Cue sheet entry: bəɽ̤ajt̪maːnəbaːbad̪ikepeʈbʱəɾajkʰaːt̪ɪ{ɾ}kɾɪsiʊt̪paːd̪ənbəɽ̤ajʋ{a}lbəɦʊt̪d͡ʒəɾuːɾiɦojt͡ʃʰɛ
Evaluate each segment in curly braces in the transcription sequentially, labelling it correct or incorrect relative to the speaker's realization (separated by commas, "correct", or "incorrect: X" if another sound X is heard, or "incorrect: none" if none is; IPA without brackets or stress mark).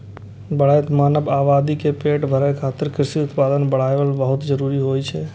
correct, incorrect: ə